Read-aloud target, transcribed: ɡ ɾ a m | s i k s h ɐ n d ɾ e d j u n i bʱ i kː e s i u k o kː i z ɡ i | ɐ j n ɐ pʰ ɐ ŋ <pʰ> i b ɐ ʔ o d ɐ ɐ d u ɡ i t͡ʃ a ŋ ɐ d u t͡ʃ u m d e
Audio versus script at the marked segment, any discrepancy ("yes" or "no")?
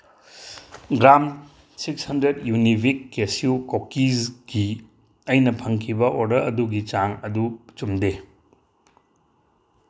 yes